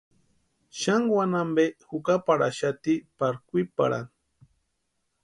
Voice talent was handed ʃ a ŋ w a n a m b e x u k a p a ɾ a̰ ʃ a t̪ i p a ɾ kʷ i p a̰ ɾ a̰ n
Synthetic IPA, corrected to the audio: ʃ a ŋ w a n a m b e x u k a p a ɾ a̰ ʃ a t̪ i p a ɾ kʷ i p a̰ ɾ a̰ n

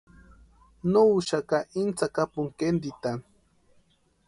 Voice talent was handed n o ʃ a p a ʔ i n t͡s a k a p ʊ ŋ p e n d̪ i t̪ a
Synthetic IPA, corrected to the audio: n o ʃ a k a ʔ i n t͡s a k a p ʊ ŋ k e n d̪ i t̪ a

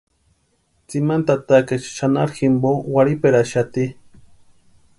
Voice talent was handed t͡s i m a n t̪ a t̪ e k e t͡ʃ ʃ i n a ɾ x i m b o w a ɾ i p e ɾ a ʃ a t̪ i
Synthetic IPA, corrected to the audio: t͡s i m a n t̪ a t̪ a k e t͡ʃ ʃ a n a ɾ x i m b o w a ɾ i p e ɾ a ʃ a t̪ i

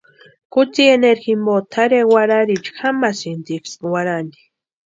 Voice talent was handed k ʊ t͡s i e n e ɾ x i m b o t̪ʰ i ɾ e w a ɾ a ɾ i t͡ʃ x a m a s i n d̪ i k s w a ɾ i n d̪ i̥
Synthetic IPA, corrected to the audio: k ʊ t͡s i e n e ɾ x i m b o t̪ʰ a ɾ e w a ɾ a ɾ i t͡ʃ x a m a s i n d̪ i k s w a ɾ a n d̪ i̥

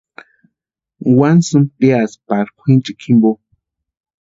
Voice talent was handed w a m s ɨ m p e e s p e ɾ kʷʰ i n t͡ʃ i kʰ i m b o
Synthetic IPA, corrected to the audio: w a n s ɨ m p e a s p a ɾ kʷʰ i n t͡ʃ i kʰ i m b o

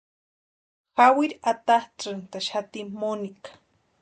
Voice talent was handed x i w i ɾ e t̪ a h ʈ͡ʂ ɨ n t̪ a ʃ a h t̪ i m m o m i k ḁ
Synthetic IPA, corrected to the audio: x a w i ɾ a t̪ a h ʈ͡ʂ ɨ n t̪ a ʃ a t̪ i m m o n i k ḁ

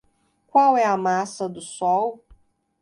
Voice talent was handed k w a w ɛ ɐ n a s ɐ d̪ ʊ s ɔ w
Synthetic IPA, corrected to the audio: k w a w ɛ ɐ m a s ɐ d̪ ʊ s ɔ w

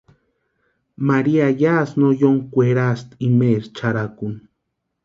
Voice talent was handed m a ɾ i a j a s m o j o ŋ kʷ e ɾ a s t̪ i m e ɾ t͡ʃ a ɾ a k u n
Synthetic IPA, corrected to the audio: m a ɾ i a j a s n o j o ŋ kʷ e ɾ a s t̪ i m e ɾ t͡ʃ a ɾ a k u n

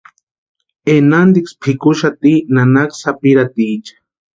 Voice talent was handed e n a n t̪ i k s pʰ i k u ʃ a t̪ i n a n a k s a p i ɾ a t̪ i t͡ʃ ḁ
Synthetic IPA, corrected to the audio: e n a n d̪ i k s pʰ i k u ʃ a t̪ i n a n a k s a p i ɾ a t̪ i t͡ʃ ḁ

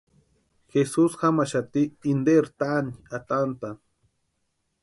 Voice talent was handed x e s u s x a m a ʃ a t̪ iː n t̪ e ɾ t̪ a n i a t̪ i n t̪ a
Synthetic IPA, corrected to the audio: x e s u s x a m a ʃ a t̪ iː n d̪ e ɾ t̪ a n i a t̪ a n t̪ a

